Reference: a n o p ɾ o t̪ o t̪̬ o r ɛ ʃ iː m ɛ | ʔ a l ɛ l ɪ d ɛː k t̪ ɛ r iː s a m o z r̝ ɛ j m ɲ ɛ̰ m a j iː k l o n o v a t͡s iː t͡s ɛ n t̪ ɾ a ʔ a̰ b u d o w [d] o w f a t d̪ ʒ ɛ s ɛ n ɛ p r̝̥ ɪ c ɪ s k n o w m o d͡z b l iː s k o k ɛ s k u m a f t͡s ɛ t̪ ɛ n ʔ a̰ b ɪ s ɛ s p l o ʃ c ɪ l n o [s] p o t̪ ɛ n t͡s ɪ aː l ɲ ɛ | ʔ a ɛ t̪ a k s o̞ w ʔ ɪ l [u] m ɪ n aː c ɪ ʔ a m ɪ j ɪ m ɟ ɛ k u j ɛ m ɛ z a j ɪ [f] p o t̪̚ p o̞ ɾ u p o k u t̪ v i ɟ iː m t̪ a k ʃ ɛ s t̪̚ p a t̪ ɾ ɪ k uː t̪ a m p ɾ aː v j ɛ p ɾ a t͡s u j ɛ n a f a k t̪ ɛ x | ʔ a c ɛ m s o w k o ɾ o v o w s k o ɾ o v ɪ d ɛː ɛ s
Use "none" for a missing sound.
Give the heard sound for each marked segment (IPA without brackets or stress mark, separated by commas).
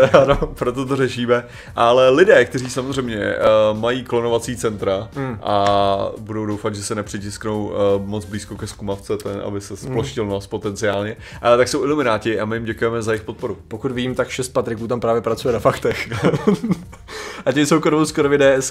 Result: d, s, u, x